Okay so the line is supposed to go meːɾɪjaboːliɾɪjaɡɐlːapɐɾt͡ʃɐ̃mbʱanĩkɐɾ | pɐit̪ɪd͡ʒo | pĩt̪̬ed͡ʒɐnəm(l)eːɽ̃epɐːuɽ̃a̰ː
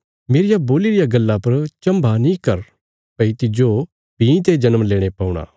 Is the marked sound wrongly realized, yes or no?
no